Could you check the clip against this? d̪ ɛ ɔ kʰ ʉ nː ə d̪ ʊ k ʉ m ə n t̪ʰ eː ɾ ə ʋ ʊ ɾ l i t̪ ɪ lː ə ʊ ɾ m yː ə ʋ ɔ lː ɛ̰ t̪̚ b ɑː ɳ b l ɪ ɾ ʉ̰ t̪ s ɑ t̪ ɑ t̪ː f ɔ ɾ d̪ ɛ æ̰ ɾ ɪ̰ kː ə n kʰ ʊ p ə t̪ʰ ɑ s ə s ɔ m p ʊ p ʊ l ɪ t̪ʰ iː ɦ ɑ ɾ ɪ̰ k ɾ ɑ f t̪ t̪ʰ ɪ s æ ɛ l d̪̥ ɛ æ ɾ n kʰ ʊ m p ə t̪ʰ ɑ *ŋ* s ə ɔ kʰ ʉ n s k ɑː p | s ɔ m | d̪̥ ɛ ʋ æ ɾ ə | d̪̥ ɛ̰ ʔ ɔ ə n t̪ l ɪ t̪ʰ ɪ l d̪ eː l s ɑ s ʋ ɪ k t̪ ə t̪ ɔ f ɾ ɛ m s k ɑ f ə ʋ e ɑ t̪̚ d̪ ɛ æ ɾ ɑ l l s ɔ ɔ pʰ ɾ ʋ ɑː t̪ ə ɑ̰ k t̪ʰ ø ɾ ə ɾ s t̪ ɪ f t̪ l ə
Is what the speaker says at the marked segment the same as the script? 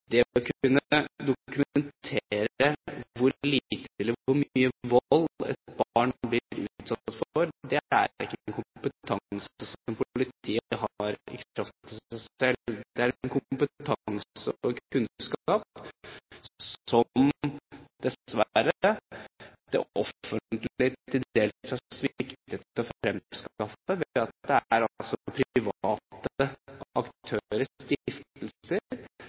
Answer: yes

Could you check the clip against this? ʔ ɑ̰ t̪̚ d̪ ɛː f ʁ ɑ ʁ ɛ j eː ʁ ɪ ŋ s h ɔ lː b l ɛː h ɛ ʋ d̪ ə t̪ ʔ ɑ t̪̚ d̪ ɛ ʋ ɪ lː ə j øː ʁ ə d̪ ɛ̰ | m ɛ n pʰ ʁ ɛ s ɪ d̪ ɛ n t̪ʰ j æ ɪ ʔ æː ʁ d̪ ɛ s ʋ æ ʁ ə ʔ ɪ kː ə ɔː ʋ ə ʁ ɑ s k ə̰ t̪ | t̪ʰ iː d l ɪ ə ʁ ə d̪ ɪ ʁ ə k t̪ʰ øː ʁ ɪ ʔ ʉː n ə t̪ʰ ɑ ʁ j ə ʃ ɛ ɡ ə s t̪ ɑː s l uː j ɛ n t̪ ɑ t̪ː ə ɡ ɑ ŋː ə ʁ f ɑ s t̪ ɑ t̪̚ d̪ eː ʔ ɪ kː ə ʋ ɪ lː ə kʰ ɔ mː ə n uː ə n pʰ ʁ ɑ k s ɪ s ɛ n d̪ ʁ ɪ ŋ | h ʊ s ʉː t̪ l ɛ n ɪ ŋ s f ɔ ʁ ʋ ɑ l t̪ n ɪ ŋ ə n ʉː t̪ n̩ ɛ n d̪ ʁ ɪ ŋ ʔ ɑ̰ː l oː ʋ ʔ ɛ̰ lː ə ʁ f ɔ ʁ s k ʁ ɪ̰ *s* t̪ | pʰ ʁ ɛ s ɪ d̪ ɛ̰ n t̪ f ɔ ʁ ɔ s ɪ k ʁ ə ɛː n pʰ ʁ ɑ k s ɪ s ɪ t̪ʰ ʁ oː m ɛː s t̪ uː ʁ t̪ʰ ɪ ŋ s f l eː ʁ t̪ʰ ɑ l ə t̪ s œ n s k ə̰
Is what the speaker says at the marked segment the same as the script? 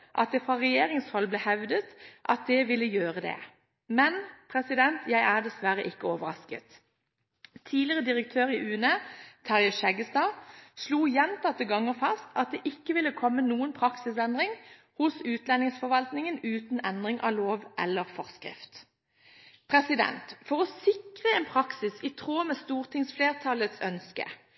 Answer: no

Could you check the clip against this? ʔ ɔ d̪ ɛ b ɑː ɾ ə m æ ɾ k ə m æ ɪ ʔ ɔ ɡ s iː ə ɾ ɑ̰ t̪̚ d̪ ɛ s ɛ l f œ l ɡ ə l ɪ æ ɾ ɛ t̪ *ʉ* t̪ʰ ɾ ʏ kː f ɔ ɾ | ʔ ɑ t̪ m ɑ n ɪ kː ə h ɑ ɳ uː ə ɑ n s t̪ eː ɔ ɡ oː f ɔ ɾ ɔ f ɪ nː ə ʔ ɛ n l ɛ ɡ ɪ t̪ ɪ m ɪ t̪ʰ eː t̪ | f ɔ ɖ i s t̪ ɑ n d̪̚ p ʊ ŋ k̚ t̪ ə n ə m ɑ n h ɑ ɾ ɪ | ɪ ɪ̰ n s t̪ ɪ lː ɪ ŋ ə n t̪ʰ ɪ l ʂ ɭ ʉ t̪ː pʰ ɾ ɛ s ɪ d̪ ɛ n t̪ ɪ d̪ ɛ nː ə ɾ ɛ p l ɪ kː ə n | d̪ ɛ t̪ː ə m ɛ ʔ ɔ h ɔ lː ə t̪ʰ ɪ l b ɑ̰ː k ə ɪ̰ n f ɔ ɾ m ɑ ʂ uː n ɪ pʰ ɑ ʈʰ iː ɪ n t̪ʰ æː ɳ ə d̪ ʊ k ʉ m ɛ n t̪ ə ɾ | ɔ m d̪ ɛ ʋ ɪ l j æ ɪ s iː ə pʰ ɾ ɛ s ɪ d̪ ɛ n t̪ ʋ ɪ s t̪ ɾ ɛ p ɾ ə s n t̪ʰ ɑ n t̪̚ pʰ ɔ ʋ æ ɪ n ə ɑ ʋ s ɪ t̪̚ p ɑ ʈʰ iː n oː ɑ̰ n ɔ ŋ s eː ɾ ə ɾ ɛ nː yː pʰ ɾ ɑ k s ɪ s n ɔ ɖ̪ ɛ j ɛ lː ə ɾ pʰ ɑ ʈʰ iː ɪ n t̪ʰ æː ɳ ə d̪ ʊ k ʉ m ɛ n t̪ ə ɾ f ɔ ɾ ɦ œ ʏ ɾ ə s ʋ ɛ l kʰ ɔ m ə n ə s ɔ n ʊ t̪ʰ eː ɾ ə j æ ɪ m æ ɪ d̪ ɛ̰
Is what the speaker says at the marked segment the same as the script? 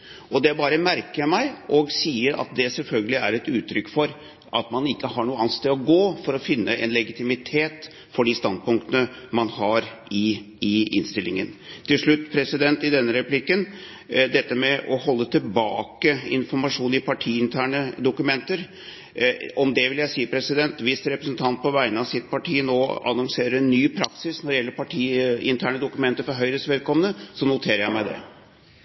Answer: no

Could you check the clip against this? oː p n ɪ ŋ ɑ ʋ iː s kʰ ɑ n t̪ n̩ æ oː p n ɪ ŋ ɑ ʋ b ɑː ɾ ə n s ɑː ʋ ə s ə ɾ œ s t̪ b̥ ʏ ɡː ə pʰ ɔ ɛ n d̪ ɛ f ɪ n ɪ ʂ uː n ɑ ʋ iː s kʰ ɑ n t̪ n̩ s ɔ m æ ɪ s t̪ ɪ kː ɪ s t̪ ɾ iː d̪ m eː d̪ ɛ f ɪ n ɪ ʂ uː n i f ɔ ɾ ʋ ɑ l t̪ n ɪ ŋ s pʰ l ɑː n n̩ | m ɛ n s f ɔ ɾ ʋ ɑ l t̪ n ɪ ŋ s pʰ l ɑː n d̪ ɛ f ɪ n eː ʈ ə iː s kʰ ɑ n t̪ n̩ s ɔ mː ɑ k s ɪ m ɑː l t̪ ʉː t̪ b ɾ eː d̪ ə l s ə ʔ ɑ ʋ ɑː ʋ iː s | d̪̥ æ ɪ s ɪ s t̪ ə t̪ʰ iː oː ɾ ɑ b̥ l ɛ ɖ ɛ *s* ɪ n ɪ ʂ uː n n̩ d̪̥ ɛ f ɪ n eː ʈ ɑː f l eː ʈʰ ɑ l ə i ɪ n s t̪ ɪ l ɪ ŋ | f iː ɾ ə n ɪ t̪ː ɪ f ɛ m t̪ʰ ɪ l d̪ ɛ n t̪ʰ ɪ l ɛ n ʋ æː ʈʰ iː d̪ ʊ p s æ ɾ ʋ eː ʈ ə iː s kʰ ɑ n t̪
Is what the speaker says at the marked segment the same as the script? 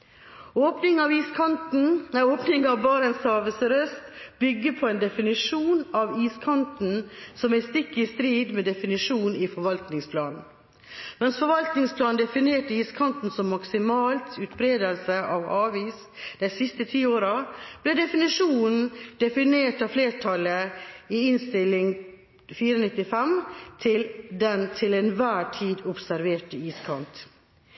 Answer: no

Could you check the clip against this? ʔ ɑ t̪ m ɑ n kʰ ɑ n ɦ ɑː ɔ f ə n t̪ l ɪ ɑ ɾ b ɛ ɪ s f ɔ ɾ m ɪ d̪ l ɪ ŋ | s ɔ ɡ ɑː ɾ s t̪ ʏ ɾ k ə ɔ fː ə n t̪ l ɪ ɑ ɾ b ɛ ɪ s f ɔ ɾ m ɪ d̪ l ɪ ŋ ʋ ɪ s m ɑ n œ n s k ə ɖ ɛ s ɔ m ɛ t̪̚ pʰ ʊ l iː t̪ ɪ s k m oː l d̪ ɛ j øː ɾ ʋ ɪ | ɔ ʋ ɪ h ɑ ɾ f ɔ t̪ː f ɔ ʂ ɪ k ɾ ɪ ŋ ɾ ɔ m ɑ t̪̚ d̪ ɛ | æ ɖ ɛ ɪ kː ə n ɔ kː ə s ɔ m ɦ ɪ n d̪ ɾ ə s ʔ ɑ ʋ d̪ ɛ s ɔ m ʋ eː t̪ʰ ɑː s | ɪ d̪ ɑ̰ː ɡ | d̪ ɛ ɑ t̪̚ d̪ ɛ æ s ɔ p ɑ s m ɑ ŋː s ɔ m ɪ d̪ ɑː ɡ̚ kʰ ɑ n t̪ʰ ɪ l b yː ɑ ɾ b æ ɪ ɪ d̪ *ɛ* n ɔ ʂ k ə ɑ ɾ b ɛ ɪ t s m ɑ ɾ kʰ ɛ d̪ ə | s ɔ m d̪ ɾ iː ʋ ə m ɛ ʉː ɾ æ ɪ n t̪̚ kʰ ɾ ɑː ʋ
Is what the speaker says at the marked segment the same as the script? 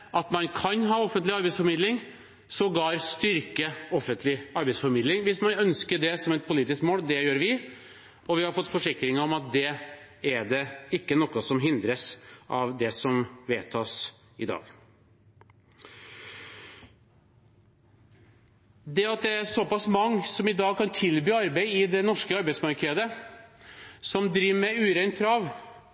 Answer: yes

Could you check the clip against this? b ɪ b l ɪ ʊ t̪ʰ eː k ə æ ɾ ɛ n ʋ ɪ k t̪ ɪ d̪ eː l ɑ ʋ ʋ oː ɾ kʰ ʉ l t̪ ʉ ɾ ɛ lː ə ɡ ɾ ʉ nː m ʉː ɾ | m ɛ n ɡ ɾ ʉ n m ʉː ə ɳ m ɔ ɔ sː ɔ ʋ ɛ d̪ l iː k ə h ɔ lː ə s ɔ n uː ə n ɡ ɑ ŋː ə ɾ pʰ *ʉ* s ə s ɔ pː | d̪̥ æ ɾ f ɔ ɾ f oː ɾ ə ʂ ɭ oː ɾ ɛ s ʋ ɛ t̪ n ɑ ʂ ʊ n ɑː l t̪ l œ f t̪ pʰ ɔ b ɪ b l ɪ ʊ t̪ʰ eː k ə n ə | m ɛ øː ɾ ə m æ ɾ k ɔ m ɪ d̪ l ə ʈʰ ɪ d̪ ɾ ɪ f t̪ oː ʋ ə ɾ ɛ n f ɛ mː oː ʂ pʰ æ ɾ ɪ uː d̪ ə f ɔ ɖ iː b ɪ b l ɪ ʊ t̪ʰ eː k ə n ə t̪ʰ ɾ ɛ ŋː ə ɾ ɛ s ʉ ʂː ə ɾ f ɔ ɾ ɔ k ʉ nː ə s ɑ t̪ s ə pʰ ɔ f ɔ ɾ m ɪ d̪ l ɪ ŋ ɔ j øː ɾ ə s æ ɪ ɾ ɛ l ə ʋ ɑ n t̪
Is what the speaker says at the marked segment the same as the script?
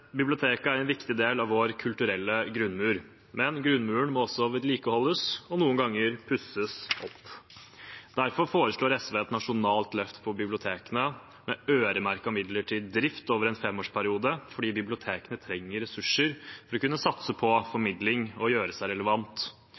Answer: yes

